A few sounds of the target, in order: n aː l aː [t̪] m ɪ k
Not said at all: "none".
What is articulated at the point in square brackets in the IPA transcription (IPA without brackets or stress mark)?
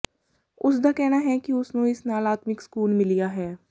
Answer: t̪